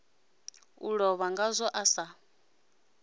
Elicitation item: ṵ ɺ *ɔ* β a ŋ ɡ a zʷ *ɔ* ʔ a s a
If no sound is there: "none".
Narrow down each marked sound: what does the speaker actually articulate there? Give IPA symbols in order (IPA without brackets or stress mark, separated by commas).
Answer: ɔ, ɔ